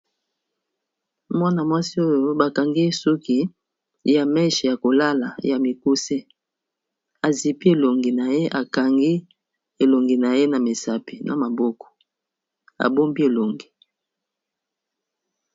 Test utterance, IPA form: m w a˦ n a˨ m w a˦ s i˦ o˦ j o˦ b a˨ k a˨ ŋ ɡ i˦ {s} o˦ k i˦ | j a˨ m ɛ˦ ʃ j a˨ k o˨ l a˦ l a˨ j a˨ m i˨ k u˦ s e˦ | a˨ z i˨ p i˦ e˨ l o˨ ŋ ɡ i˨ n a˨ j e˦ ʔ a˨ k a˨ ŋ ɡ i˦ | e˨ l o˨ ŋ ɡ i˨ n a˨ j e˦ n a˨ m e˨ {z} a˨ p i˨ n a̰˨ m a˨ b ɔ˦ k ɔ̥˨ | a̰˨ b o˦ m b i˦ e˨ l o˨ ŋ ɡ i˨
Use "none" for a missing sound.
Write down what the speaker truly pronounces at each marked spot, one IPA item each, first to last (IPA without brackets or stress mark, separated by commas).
s, s